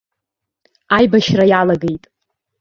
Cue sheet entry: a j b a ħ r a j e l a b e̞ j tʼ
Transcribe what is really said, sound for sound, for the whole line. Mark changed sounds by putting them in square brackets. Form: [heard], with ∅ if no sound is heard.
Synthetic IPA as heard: a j b a [ʃ] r a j [a] l a [ɡ] e̞ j tʼ

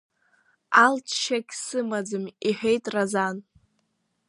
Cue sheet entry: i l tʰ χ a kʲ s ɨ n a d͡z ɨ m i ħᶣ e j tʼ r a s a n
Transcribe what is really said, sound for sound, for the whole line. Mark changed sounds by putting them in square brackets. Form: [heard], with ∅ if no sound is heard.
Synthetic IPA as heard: [a] l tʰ [ʃ] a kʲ s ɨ [m] a d͡z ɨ m i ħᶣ e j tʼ r a [z] a n

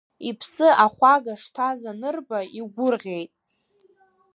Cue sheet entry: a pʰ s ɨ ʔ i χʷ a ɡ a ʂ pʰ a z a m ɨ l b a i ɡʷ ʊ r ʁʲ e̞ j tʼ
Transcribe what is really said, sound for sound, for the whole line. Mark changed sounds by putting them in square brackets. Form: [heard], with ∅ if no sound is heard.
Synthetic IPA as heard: [i] pʰ s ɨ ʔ [a] χʷ a ɡ a ʂ [tʰ] a z a [n] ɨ [r] b a i ɡʷ ʊ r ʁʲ e̞ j tʼ

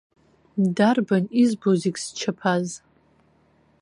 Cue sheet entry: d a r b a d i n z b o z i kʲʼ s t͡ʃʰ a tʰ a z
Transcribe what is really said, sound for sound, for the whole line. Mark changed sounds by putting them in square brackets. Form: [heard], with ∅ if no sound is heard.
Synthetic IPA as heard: d a r b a [n] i [∅] z b o z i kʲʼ s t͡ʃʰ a [pʰ] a z

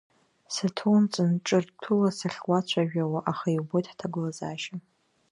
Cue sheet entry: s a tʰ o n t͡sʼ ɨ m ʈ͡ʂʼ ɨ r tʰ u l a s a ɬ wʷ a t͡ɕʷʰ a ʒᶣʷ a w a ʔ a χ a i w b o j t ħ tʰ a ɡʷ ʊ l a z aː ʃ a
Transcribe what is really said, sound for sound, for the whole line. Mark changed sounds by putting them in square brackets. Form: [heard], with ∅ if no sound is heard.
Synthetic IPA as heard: s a tʰ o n t͡sʼ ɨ [n] ʈ͡ʂʼ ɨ r tʰ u l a s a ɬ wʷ a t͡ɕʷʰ a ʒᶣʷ a w a ʔ a χ a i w b o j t ħ tʰ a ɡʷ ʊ l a z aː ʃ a

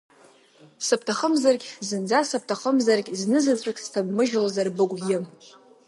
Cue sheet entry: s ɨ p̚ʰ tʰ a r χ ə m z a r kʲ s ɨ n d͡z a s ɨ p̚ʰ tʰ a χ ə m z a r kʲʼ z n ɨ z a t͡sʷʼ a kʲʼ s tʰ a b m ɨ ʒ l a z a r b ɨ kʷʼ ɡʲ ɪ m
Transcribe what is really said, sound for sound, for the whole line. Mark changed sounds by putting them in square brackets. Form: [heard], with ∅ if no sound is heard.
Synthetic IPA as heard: s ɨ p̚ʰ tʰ a [∅] χ ə m z a r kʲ [z] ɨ n d͡z a s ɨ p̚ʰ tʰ a χ ə m z a r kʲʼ z n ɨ z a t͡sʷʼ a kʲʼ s tʰ a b m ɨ ʒ l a z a r b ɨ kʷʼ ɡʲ ɪ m

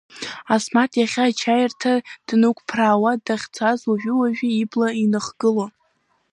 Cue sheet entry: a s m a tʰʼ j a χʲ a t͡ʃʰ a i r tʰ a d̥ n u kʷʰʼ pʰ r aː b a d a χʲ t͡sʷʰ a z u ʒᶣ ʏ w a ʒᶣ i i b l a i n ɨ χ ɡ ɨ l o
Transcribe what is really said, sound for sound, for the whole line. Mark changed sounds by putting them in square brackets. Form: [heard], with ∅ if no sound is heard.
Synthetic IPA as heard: a s m a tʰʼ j a χʲ a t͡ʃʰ a [j] r tʰ a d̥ n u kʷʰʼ pʰ r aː [w] a d a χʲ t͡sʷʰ a z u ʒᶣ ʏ w a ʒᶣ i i b l a i n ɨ χ ɡ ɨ l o

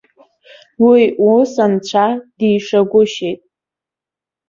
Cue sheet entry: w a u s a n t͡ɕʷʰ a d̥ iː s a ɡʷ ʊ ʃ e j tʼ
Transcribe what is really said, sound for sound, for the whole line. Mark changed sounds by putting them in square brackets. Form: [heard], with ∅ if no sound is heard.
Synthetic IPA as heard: w [i] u s a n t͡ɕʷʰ a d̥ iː [ʂ] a ɡʷ ʊ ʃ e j tʼ

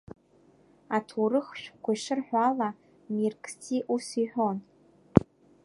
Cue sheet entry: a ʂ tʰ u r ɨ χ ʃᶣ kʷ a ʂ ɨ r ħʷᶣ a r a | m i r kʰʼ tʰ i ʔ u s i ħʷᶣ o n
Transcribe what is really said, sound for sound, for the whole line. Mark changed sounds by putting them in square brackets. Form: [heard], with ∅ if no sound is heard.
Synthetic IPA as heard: a [∅] tʰ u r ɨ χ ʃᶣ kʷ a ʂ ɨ r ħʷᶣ a [l] a | m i r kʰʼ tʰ i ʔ u s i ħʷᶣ o n

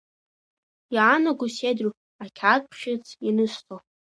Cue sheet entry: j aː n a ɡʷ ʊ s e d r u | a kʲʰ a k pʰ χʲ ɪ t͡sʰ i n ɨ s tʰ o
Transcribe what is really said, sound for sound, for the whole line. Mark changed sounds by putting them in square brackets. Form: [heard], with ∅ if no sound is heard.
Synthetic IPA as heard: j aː n a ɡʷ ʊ s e d r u | a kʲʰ a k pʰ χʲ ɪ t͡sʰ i n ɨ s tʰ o

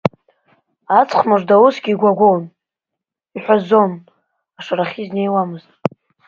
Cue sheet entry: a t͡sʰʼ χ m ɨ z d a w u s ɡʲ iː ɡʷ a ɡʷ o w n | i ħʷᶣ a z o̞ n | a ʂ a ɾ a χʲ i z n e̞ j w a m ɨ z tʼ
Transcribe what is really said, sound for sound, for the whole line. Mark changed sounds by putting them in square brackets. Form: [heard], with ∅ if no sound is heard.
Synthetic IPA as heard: a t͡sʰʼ χ m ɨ [ʐ] d a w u s ɡʲ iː ɡʷ a ɡʷ o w n | i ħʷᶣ a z o̞ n | a ʂ a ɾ a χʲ i z n e̞ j w a m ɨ z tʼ

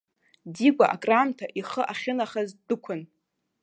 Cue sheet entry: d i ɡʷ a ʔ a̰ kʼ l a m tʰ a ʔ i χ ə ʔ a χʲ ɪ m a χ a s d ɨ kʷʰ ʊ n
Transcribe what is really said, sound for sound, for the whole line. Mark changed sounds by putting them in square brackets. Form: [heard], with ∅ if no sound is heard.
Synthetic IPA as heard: d i ɡʷ a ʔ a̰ kʼ [r] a m tʰ a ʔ i χ ə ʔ a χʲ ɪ [n] a χ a [z] d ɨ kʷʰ ʊ n

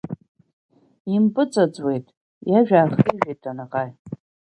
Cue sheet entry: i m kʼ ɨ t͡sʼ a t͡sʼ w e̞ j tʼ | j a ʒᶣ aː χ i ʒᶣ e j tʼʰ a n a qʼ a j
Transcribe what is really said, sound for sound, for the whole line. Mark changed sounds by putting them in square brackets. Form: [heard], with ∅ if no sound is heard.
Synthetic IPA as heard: i m [pʼ] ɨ t͡sʼ a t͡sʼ w e̞ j tʼ | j a ʒᶣ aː χ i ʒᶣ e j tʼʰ a n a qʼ a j

